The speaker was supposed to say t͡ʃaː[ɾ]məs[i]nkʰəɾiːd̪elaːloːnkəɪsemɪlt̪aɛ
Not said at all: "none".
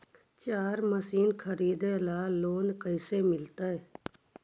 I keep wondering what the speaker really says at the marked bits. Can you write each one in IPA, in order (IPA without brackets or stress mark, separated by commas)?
ɾ, iː